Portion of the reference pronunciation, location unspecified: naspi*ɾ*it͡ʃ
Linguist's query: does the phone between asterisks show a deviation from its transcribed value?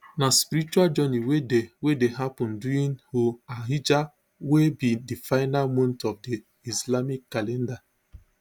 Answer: no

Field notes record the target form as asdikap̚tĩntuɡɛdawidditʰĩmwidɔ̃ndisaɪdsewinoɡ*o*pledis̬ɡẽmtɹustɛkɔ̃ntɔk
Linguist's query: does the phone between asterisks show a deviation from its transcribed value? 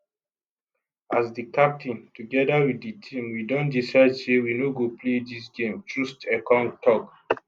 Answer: no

